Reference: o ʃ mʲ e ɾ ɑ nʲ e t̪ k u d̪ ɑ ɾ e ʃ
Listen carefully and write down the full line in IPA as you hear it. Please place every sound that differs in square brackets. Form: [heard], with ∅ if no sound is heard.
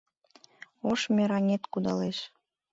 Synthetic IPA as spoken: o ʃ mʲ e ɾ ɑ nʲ e t̪ k u d̪ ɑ [l] e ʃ